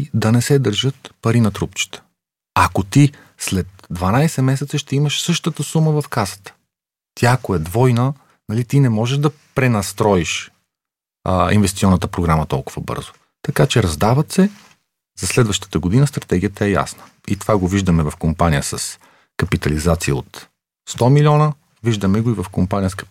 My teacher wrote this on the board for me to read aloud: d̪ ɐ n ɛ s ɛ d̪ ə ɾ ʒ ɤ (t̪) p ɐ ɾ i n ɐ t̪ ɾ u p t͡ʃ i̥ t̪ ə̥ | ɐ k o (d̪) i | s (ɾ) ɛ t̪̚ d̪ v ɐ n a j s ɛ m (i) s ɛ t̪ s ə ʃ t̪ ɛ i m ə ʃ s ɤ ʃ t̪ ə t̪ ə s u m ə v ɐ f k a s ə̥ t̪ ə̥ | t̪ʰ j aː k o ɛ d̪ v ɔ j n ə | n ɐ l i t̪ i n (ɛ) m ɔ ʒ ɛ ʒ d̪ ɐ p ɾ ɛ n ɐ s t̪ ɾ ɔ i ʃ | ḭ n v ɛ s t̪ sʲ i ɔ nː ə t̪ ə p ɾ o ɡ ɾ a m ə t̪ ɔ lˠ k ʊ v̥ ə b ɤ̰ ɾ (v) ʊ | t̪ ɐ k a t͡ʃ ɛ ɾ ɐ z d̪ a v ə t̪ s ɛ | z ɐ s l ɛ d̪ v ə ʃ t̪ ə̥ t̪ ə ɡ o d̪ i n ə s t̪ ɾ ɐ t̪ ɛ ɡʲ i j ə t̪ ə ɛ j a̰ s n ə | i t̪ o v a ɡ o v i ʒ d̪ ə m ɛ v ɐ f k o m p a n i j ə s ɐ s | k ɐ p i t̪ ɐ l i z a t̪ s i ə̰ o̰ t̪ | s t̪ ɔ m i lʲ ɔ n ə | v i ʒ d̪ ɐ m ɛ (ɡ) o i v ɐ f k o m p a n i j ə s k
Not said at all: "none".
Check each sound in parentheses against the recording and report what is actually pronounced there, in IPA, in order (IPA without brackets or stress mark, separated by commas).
t̪, t̪, l, ɛ, ɛ, z, ɡ